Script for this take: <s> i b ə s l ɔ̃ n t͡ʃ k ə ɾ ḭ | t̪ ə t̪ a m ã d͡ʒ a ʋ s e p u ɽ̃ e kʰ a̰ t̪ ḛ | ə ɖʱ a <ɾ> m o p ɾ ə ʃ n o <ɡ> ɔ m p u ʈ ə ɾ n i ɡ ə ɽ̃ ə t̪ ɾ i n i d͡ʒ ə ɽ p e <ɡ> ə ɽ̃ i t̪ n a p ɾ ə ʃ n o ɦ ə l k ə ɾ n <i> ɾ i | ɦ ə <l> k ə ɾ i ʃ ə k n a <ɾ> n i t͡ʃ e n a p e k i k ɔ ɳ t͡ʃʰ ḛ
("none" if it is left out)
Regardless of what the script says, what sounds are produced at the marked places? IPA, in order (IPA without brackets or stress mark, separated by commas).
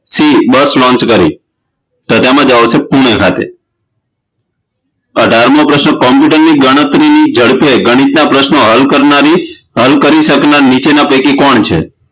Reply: s, ɾ, k, ɡ, a, l, ɾ